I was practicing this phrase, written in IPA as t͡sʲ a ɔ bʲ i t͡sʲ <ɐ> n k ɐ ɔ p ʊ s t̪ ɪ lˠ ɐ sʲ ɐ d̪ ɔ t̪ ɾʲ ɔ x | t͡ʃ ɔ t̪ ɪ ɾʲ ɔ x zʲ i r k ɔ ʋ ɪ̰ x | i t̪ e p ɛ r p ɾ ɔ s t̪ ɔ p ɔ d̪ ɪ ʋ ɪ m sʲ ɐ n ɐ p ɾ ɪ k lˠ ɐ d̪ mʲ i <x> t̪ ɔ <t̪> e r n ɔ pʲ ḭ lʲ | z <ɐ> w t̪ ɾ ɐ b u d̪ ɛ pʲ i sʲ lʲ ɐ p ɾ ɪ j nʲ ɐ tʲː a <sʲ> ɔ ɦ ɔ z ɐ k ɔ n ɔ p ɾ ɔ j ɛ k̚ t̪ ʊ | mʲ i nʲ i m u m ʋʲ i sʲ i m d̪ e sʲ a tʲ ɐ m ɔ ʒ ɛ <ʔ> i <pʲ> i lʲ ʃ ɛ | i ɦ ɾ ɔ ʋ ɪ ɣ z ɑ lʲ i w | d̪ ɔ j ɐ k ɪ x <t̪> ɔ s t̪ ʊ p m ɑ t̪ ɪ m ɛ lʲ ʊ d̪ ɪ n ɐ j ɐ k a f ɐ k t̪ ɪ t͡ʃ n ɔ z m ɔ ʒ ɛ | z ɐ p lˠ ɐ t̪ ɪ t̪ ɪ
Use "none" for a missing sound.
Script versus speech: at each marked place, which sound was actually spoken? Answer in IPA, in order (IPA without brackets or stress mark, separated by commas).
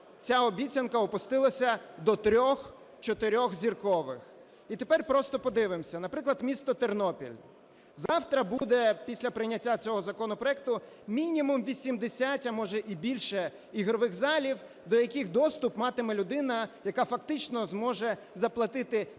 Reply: ɐ, s, t̪, ɑ, t͡sʲ, ʔ, bʲ, d̪